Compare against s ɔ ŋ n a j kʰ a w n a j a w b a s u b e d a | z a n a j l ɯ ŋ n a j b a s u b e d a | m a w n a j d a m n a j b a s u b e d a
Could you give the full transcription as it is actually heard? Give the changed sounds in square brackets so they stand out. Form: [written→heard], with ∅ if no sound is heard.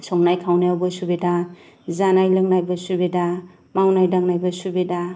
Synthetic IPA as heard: s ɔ ŋ n a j kʰ a w n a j a w b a s u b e d a | z a n a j l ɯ ŋ n a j b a s u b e d a | m a w n a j d a [m→ŋ] n a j b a s u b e d a